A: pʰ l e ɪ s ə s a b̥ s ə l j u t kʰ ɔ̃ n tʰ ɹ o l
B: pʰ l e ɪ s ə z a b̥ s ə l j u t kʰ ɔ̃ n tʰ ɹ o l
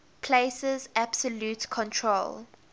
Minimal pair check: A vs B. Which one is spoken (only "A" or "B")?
B